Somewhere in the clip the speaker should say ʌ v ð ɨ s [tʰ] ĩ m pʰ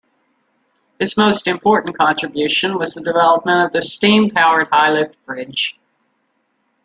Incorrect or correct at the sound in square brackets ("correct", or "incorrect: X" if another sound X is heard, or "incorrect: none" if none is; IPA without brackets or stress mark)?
incorrect: t